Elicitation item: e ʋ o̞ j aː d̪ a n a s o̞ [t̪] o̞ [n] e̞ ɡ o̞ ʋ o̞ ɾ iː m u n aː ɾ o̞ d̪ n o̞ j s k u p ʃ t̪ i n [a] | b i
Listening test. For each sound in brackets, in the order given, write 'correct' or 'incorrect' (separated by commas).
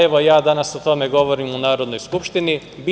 correct, incorrect, incorrect